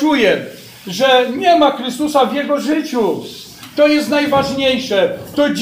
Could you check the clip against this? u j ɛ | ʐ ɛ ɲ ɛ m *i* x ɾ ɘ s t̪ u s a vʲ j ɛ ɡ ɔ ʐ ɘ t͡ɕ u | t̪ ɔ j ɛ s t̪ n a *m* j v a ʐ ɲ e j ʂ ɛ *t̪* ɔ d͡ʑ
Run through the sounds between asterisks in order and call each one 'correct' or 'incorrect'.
incorrect: a, incorrect: none, correct

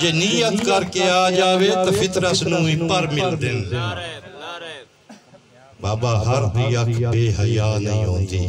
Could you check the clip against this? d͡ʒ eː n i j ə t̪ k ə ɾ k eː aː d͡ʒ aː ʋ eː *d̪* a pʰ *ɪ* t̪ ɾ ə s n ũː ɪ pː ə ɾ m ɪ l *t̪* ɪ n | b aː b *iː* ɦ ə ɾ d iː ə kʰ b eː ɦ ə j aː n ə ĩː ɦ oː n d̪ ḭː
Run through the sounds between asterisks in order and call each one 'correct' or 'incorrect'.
incorrect: t̪, correct, incorrect: d̪, incorrect: aː

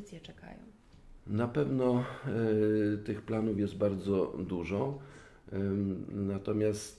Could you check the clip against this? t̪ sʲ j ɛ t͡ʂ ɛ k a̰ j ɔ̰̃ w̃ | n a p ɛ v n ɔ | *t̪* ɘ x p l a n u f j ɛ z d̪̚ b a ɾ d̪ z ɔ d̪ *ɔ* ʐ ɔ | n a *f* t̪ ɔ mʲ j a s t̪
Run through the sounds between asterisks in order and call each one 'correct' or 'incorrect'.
correct, incorrect: u, incorrect: none

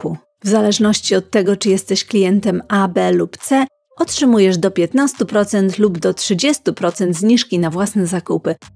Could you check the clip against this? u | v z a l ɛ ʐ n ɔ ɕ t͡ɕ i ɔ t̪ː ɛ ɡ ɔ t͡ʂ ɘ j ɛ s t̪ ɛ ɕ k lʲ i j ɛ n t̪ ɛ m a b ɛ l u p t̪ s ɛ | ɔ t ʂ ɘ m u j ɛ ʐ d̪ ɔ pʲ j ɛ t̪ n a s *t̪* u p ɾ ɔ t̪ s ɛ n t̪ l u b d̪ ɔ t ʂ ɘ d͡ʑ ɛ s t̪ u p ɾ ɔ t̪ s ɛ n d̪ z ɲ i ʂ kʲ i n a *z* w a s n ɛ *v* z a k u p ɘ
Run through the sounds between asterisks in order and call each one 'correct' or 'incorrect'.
correct, incorrect: v, incorrect: none

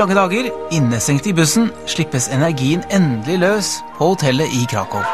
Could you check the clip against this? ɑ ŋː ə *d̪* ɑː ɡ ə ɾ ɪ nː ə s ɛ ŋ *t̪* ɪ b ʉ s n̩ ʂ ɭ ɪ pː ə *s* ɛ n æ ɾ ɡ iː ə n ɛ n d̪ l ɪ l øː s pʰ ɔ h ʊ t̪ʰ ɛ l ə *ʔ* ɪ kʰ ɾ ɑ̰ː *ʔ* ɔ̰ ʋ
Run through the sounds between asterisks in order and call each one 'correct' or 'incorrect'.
correct, correct, correct, correct, incorrect: k

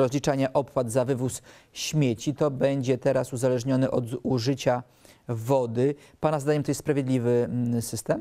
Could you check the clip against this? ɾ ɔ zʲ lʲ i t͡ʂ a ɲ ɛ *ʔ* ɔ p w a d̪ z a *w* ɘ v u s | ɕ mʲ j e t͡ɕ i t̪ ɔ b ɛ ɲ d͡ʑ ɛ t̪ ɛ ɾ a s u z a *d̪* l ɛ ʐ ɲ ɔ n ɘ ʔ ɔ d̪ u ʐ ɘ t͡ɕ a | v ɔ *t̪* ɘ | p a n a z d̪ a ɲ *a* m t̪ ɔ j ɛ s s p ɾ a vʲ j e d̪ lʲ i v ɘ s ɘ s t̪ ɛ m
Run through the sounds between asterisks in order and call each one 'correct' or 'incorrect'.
correct, incorrect: v, incorrect: none, incorrect: d̪, incorrect: ɛ

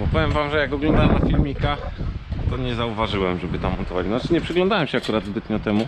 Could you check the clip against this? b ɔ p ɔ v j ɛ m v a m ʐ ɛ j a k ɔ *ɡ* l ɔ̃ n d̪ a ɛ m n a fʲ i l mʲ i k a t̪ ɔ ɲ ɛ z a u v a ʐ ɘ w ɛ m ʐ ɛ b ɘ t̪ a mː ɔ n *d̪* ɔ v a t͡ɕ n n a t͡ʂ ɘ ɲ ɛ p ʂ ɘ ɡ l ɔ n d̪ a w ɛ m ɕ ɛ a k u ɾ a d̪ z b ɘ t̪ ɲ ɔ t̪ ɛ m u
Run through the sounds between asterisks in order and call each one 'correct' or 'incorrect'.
correct, incorrect: t̪

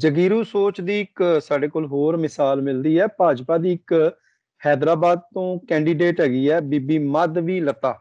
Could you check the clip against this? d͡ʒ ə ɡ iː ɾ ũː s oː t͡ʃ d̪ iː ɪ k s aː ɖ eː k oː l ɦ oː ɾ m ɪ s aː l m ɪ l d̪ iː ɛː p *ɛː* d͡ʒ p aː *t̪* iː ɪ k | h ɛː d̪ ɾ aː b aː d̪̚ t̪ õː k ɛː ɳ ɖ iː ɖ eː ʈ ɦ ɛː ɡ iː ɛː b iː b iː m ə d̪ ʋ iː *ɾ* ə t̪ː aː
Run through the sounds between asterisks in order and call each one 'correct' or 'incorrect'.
incorrect: aː, incorrect: d̪, incorrect: l

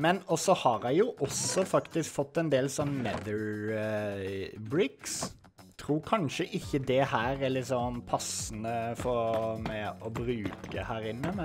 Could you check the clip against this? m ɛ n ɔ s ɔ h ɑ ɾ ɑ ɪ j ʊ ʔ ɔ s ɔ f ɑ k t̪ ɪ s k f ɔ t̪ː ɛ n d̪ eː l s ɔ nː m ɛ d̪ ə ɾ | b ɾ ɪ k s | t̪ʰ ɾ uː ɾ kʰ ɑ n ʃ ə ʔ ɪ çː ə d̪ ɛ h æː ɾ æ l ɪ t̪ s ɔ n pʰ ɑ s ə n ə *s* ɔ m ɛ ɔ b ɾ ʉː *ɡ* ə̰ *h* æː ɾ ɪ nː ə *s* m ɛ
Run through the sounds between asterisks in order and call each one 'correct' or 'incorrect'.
incorrect: f, incorrect: k, correct, incorrect: none

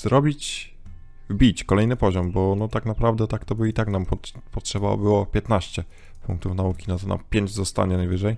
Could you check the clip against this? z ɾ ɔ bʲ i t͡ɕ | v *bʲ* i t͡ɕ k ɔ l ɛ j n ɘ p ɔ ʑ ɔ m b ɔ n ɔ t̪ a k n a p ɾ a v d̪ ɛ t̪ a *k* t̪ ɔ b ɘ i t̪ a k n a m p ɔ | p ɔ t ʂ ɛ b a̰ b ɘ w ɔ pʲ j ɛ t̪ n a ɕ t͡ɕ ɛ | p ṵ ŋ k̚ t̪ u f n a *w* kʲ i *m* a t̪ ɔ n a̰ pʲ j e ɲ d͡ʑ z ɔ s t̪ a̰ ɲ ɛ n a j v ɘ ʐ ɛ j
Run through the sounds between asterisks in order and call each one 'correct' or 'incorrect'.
correct, correct, incorrect: u, incorrect: n

